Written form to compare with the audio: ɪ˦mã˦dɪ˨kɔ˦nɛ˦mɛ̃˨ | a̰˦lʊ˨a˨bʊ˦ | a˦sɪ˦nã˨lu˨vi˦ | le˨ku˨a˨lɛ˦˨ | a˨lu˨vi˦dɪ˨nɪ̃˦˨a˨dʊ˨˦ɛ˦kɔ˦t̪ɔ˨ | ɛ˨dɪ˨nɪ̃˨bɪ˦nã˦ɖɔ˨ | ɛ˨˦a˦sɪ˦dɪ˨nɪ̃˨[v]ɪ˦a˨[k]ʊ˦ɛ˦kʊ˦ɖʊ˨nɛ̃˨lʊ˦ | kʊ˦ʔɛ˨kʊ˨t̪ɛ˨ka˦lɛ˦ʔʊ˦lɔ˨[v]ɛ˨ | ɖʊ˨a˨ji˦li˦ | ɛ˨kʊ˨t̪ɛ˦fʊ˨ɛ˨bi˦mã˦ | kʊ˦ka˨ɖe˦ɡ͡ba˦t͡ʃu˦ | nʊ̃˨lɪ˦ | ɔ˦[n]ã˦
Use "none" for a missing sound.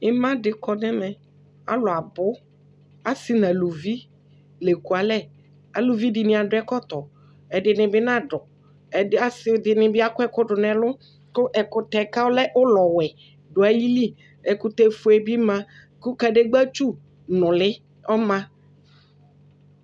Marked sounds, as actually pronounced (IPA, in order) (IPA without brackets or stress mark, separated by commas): b, k, w, m